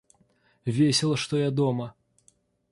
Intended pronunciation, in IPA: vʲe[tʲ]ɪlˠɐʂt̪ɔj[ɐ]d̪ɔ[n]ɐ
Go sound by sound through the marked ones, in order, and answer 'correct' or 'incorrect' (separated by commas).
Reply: incorrect, incorrect, incorrect